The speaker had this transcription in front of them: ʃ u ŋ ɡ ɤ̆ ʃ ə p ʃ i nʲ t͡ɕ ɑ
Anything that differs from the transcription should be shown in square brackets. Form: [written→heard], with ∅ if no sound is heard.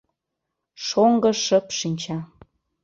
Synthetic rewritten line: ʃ [u→o] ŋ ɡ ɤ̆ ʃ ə p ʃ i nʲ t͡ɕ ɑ